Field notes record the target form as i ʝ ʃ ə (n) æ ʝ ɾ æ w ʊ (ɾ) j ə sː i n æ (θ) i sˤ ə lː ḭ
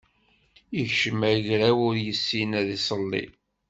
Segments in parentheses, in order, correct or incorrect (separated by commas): incorrect, correct, incorrect